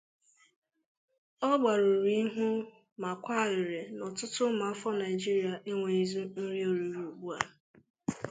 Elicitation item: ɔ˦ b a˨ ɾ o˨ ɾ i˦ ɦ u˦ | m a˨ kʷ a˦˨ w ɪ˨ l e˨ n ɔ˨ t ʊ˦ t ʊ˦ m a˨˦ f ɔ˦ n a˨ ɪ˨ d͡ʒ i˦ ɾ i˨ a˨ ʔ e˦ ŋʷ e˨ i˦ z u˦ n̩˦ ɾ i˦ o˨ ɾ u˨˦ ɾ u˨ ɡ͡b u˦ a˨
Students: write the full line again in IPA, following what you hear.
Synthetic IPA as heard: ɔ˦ ɡ͡b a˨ ɾ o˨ ɾ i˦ ɦ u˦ | m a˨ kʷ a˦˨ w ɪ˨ ɾ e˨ n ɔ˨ t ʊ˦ t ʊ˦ m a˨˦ f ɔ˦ n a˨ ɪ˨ d͡ʒ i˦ ɾ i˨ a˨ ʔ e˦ ŋʷ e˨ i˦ z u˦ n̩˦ ɾ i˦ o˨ ɾ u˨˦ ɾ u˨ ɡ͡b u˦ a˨